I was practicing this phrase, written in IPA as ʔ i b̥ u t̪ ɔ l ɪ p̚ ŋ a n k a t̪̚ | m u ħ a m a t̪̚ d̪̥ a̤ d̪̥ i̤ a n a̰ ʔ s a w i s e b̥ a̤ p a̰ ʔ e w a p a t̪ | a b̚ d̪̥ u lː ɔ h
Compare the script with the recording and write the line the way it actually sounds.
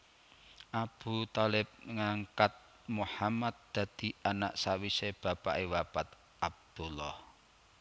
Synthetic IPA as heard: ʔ a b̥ u t̪ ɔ l ɪ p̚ ŋ a ŋ k a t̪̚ | m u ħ a m a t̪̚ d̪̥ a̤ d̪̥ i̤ a n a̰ ʔ s a w i s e b̥ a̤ p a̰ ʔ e w a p a t̪ | a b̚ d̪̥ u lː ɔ h